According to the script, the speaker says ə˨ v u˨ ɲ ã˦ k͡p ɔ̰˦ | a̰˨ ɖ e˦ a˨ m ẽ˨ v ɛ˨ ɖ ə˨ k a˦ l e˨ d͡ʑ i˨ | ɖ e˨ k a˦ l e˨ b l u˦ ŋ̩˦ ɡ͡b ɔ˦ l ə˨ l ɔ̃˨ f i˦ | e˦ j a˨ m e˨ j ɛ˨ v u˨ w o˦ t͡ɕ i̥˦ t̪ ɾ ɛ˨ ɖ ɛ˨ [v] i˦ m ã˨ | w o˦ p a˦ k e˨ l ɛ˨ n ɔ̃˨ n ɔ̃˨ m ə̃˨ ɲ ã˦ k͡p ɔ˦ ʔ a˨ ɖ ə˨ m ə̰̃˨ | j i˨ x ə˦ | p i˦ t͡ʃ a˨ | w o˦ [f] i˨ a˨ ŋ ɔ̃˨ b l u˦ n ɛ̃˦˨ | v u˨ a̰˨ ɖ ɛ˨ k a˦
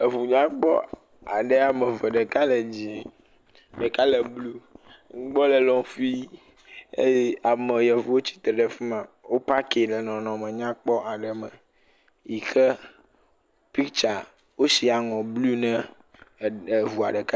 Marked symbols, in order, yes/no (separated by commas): no, no